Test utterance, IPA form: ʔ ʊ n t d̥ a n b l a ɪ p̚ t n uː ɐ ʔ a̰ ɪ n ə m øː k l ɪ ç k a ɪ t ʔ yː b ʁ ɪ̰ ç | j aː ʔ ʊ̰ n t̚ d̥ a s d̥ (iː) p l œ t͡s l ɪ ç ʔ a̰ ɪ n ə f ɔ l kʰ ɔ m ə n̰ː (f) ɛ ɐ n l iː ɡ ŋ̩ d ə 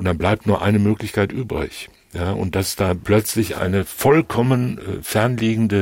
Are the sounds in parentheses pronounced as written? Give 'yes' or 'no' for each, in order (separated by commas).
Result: no, yes